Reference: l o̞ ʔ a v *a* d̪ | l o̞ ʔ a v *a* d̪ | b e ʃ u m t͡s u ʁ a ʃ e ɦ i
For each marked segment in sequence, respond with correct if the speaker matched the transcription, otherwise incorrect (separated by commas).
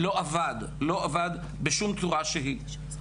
correct, correct